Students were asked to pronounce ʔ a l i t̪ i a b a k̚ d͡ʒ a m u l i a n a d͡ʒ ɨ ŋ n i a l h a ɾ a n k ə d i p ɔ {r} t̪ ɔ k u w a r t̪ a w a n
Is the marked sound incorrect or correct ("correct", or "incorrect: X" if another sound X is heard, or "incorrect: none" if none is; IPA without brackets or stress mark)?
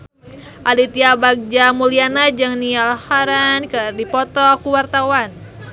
incorrect: none